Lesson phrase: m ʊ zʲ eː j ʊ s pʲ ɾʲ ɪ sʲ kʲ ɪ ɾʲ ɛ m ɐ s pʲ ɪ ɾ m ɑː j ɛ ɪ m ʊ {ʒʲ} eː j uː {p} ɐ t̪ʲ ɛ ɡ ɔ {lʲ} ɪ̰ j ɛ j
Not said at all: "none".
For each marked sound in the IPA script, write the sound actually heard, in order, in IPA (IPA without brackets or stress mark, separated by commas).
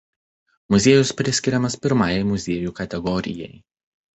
zʲ, k, ɾʲ